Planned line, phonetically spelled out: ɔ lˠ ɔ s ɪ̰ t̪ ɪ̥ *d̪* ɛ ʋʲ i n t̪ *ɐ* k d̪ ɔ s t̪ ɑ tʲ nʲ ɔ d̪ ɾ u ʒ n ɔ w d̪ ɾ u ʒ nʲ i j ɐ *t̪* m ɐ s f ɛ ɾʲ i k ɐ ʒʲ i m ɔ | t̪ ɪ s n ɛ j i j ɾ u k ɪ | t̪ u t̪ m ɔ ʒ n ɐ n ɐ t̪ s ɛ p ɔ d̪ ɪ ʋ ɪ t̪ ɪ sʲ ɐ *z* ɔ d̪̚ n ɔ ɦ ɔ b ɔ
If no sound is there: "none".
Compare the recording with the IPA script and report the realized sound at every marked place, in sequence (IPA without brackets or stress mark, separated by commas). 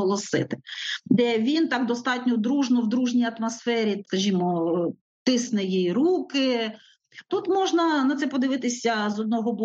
d̪, ɑ, t̪, z